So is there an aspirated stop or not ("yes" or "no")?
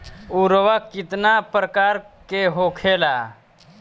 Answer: yes